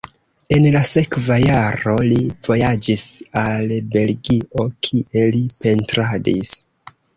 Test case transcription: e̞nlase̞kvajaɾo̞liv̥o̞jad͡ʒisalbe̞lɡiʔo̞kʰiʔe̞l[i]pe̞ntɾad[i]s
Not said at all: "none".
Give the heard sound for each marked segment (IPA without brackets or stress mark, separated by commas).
i, i